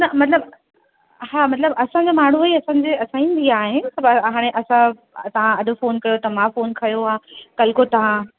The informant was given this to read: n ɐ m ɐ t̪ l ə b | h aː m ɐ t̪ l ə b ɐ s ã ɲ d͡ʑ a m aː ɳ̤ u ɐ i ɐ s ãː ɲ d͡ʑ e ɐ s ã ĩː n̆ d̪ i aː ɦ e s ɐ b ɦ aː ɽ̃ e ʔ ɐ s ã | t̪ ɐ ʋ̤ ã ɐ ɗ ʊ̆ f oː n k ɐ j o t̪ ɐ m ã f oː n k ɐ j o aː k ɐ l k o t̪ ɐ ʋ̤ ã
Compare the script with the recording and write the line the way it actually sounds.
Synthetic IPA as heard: n ɐ m ɐ t̪ l ə b | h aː m ɐ t̪ l ə b ɐ s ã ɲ d͡ʑ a m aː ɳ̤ u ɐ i ɐ s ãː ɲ d͡ʑ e ɐ s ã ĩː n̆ d̪ i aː ɦ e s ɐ b ɦ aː ɽ̃ e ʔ ɐ s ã | t̪ ɐ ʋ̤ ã ɐ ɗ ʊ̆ f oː n k ɐ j o t̪ ɐ m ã f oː n k ɐ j o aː k ɐ l k o t̪ ɐ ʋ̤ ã